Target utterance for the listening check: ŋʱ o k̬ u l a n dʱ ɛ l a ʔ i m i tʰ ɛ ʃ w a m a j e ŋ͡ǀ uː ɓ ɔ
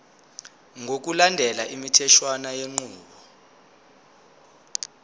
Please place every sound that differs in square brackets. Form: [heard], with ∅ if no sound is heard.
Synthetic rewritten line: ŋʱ o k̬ u l a n dʱ ɛ l a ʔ i m i tʰ ɛ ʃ w a [n] a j e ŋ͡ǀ uː ɓ ɔ